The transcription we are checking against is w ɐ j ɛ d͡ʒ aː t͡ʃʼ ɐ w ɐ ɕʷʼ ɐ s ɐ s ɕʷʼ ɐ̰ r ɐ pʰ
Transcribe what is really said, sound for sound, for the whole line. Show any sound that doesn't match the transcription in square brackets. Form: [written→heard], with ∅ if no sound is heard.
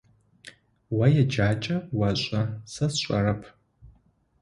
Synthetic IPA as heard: w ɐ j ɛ d͡ʒ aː t͡ʃʼ ɐ w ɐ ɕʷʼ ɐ s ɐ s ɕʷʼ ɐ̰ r ɐ pʰ

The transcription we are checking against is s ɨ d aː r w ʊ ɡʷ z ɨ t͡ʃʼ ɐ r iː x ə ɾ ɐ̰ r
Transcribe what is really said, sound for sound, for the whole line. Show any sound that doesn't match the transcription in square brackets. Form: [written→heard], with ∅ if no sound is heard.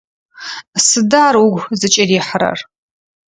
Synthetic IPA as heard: s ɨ d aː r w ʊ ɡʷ z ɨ t͡ʃʼ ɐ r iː [x→ħ] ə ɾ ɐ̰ r

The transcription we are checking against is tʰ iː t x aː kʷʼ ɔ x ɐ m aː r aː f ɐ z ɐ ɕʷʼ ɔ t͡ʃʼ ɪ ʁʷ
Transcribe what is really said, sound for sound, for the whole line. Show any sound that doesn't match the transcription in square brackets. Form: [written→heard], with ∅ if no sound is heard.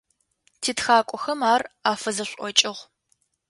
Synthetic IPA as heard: tʰ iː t x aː kʷʼ ɔ x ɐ m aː r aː f ɐ z ɐ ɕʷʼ ɔ t͡ʃʼ ɪ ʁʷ

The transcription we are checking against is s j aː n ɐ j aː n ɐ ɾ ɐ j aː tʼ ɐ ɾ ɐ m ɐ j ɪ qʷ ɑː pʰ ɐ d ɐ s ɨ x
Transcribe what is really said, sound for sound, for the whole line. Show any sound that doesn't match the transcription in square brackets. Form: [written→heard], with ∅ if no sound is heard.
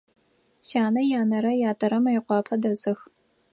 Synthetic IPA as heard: s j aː n ɐ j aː n ɐ ɾ ɐ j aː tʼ ɐ ɾ ɐ m ɐ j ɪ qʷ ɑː pʰ ɐ d ɐ [s→z] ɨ x

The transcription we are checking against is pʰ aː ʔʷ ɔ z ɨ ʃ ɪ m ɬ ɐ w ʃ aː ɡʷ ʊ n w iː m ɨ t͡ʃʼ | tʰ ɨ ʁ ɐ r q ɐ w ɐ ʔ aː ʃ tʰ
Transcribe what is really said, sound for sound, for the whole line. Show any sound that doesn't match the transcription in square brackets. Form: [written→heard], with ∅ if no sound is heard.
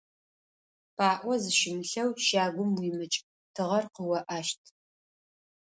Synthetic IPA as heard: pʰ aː ʔʷ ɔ z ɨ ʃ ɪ m ɬ ɐ w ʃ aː ɡʷ ʊ [n→m] w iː m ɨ t͡ʃʼ | tʰ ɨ ʁ ɐ r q [ɐ→ə] w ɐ ʔ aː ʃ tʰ

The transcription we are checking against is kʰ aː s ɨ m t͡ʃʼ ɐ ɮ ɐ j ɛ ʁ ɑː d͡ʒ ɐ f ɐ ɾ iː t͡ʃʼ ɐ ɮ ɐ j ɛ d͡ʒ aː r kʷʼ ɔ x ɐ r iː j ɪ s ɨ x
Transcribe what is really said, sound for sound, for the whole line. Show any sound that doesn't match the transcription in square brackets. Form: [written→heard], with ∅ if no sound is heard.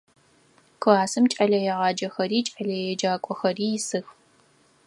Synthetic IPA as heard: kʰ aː s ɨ m t͡ʃʼ ɐ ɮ ɐ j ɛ ʁ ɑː d͡ʒ ɐ [f→x] ɐ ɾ iː t͡ʃʼ ɐ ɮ ɐ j ɛ d͡ʒ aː [r→∅] kʷʼ ɔ x ɐ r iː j ɪ s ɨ x

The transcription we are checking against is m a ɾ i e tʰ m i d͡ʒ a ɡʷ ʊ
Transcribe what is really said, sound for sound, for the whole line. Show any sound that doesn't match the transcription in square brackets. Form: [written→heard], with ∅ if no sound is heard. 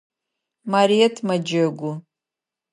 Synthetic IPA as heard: m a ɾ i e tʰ m [i→a] d͡ʒ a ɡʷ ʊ

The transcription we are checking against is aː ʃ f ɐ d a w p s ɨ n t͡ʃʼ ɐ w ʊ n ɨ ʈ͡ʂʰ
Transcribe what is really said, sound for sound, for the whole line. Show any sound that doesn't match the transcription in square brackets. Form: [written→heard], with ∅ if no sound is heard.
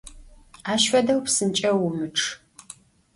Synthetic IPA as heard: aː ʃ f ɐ d [a→ɐ] w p s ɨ n t͡ʃʼ ɐ w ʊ [n→m] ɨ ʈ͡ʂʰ

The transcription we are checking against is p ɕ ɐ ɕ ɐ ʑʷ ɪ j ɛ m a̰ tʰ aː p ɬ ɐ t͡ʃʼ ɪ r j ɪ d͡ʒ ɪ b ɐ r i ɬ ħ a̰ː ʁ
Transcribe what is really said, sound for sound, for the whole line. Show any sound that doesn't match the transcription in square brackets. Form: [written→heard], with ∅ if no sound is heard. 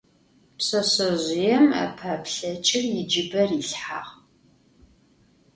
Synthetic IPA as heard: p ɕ ɐ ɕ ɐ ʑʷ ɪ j ɛ m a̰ [tʰ→pʰ] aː p ɬ ɐ t͡ʃʼ ɪ r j ɪ d͡ʒ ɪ b ɐ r i ɬ ħ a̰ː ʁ

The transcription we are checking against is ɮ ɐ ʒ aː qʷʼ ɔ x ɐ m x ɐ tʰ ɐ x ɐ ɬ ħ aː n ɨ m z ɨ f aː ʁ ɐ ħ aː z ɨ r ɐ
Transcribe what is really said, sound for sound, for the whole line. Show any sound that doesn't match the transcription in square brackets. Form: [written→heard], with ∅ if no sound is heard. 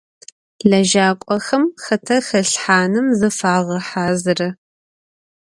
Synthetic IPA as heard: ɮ ɐ ʒ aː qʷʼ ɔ x ɐ m x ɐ tʰ ɐ x ɐ ɬ ħ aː n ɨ m z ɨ f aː ʁ ɐ ħ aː z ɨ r ɐ

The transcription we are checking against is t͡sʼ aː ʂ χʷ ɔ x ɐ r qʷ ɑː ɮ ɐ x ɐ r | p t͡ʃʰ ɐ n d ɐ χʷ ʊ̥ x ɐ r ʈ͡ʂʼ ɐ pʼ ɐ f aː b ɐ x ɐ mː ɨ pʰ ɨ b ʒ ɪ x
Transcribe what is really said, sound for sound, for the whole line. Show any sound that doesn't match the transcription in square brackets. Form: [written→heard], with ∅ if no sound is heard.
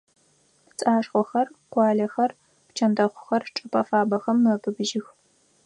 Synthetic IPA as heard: t͡sʼ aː ʂ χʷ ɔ x ɐ r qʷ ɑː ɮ ɐ x ɐ r | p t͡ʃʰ ɐ n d ɐ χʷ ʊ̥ x ɐ r ʈ͡ʂʼ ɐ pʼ ɐ f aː b ɐ x ɐ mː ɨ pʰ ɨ b ʒ ɪ x

